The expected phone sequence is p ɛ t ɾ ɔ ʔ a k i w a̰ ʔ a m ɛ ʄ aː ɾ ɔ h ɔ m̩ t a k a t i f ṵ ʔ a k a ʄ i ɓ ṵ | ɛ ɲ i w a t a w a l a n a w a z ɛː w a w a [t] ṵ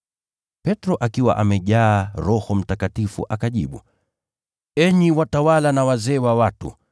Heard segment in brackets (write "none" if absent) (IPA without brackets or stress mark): t